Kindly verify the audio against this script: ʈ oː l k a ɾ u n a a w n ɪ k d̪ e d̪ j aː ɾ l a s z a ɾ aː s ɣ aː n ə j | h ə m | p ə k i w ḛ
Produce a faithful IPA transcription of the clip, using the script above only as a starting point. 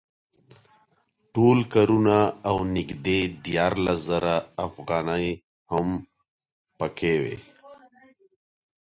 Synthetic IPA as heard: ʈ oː l k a ɾ u n a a w n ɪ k d̪ e d̪ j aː ɾ l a s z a ɾ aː f ɣ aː n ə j | h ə m | p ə k e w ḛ